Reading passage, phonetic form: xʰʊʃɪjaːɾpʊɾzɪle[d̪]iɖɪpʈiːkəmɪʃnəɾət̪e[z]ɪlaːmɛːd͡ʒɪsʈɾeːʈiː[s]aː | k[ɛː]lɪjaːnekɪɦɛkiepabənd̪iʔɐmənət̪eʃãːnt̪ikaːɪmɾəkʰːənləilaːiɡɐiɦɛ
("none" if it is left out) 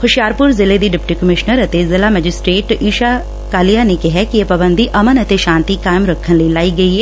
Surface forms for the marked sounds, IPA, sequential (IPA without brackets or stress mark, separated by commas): d̪, z, ʃ, aː